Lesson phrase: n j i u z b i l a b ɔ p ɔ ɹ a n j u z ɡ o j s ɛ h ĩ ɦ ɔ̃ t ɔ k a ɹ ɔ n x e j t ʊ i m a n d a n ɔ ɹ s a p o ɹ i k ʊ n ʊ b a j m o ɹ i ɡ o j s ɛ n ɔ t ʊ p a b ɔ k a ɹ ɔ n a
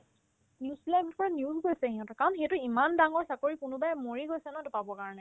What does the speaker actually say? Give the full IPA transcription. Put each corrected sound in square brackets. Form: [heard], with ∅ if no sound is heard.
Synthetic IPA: n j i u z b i l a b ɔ p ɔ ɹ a n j u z ɡ o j s ɛ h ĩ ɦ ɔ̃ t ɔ k a ɹ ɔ n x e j t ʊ i m a n d a [ŋ] ɔ ɹ s a [k] o ɹ i k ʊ n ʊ b a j m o ɹ i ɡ o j s ɛ n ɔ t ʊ p a b ɔ k a ɹ ɔ n [ɛ]